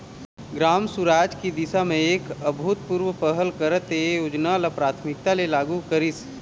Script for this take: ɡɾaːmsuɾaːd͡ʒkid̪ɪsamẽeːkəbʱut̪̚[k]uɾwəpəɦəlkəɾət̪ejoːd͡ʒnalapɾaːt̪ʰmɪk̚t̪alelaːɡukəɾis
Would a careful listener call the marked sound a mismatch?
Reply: yes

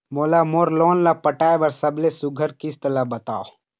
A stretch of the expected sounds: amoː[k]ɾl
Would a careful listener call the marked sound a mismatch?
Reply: yes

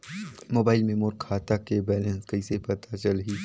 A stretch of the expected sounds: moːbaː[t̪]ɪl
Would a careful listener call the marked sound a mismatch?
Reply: yes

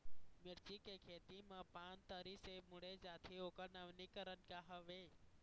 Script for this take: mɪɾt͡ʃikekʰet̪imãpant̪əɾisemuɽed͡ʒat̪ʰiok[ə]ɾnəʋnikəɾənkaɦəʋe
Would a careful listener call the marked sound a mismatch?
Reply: no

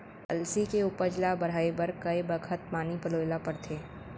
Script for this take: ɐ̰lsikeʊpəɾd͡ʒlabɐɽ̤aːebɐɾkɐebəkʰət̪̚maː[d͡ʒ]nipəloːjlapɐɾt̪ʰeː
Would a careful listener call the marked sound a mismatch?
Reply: yes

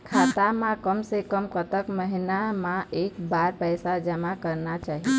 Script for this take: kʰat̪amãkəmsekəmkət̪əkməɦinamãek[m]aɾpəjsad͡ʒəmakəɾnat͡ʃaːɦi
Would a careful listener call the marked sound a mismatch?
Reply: yes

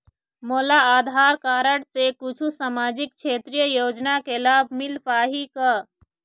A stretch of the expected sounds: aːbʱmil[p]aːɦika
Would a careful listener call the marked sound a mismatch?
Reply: no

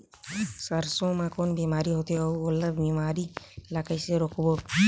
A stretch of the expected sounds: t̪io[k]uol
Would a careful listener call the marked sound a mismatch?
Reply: yes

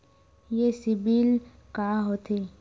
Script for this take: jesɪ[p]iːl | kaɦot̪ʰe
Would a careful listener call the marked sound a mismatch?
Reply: yes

